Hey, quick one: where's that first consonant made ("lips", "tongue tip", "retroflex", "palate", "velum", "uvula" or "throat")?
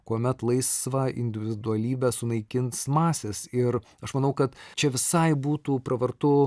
velum